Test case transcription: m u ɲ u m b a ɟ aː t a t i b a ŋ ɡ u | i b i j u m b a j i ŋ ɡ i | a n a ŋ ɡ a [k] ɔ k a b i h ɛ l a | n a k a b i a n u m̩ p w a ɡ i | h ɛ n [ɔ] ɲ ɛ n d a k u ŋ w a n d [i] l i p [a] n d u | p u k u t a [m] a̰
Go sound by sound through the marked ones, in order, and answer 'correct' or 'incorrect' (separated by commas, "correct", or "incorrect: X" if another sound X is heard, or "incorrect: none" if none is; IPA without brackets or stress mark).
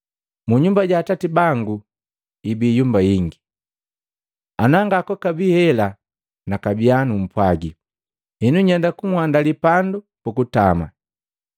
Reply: correct, incorrect: u, incorrect: a, correct, correct